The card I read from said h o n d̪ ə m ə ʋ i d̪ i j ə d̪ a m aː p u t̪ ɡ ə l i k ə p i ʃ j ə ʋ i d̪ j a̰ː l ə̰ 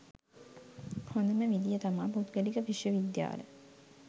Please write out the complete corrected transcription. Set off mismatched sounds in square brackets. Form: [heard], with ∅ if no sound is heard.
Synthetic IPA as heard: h o n d̪ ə m ə ʋ i d̪ i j ə [t̪] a m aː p u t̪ ɡ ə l i k ə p i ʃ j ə ʋ i d̪ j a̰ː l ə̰

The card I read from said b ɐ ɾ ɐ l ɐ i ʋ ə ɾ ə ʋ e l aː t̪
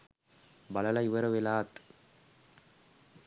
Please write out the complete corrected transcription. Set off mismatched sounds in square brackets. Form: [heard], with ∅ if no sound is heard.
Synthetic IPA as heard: b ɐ [l] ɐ l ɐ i ʋ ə ɾ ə ʋ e l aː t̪

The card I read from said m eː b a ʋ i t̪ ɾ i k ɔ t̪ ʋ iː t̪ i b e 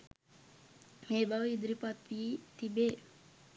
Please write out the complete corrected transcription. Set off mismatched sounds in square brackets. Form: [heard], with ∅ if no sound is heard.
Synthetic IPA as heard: m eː b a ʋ i [d̪] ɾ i [p] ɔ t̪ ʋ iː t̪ i b e

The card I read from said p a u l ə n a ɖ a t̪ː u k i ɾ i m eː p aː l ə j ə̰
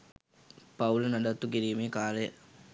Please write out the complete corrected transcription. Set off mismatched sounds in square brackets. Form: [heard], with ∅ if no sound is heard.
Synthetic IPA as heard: p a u l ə n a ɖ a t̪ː u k i ɾ [iː] m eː [k] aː l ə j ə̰

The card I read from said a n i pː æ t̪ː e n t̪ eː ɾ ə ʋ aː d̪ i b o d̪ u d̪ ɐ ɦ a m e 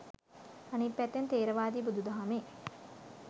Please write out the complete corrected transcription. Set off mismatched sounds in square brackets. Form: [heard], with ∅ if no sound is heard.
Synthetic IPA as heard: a n i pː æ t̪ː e n t̪ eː ɾ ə ʋ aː d̪ i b [u] d̪ u d̪ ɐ ɦ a m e

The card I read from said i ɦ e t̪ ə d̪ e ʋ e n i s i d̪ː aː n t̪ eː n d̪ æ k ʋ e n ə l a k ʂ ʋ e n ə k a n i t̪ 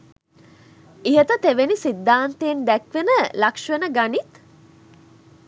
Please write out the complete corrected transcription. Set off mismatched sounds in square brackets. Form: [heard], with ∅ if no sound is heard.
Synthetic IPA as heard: i ɦ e t̪ ə [t̪] e ʋ e n i s i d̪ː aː n t̪ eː n d̪ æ k ʋ e n ə l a k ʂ ʋ e n ə [ɡ] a n i t̪

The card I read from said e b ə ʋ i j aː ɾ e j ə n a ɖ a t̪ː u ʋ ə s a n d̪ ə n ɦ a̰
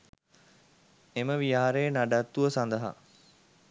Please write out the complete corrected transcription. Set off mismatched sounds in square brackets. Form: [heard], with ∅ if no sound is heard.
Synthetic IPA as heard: e [m] ə ʋ i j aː ɾ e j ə n a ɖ a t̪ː u ʋ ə s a n d̪ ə [∅] ɦ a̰

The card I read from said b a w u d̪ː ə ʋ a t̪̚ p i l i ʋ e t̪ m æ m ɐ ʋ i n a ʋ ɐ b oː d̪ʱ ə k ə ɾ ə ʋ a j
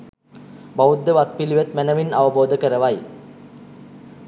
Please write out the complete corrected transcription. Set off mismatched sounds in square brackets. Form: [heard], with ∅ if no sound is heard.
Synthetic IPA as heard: b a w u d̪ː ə ʋ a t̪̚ p i l i ʋ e t̪ m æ [n] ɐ ʋ i n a ʋ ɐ b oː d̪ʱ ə k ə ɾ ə ʋ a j

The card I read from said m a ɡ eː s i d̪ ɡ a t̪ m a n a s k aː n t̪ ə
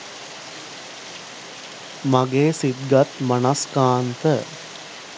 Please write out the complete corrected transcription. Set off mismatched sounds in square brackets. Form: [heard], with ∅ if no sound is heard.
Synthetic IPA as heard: m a ɡ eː s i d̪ ɡ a t̪ m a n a s k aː n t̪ ə

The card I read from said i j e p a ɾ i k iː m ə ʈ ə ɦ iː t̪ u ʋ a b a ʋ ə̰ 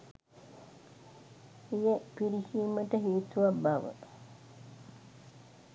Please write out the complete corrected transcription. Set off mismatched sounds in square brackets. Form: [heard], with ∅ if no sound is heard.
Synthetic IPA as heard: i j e p [i] ɾ i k iː m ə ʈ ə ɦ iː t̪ u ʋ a b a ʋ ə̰

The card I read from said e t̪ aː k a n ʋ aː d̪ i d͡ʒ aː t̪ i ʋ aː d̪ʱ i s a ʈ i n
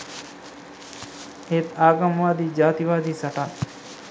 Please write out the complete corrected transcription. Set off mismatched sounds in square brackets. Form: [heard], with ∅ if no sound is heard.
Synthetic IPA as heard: e t̪ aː [ɡ] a [m] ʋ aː d̪ i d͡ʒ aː t̪ i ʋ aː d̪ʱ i s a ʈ [a] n

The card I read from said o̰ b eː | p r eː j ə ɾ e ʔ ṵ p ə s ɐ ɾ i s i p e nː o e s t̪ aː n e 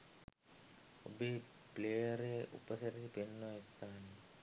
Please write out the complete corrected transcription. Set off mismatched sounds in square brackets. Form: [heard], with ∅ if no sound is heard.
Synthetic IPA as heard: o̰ b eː | p [l] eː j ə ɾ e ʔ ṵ p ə s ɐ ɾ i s i p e nː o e s t̪ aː n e

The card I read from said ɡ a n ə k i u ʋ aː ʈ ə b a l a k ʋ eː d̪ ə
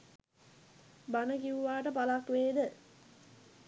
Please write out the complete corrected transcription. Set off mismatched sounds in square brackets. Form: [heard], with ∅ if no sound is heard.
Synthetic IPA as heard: [b] a n ə k i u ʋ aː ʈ ə [p] a l a k ʋ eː d̪ ə

